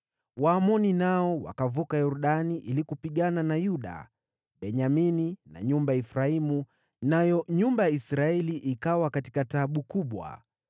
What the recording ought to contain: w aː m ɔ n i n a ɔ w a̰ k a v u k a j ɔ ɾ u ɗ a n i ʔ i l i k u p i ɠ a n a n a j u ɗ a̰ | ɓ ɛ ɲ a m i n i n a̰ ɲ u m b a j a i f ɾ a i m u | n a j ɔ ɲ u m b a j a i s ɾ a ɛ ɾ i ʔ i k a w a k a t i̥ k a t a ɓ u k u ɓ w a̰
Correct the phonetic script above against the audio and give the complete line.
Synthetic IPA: w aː m ɔ n i n a ɔ w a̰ k a v u k a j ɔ ɾ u ɗ a n i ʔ i l i k u p i ɠ a n a n a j u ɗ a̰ | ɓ ɛ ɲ a m i n i n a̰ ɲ u m b a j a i f ɾ a i m u | n a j ɔ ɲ u m b a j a i s ɾ a ɛ l i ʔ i k a w a k a t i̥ k a t a ɓ u k u ɓ w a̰